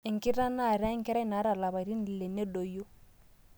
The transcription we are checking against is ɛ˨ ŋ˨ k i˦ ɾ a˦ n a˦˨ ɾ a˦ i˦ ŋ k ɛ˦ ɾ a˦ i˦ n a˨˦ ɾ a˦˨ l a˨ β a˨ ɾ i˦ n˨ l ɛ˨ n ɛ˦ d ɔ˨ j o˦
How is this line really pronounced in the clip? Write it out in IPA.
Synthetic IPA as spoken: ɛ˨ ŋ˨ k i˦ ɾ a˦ n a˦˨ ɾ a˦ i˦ ŋ k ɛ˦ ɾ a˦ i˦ n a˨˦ ɾ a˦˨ l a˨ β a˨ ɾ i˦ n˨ l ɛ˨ n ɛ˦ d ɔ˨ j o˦